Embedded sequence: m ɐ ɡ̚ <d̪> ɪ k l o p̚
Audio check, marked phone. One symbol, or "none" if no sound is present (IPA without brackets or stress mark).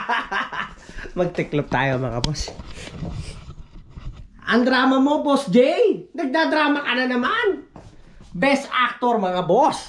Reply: t̪